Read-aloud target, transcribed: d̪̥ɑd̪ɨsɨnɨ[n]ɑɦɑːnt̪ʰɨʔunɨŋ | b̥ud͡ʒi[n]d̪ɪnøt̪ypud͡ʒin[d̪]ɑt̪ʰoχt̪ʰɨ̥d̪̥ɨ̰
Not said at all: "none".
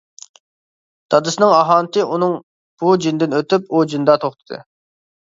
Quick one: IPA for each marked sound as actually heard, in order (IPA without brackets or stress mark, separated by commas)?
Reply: ŋ, n, d̪